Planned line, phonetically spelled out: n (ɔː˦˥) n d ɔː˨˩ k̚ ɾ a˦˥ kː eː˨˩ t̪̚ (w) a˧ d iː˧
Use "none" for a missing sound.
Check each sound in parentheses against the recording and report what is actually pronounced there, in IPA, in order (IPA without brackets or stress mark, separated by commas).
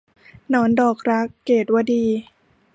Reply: ɔː˦˥, w